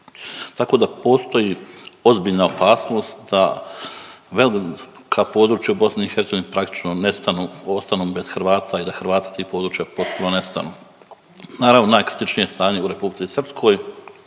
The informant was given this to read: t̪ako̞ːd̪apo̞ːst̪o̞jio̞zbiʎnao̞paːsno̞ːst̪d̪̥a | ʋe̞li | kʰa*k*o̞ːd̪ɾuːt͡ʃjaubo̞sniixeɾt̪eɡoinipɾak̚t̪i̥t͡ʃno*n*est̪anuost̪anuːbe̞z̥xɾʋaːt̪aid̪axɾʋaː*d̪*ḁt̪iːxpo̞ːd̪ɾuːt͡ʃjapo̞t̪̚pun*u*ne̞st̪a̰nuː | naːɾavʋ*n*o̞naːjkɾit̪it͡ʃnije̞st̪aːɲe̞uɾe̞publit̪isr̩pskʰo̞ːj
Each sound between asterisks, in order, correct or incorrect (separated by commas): incorrect, correct, incorrect, incorrect, correct